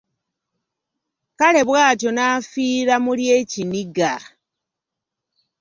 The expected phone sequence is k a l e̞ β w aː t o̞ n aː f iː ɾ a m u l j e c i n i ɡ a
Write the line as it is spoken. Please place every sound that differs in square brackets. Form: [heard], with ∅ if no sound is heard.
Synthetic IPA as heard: k a l e̞ β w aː t o̞ n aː f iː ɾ a m u l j e c i n i ɡ a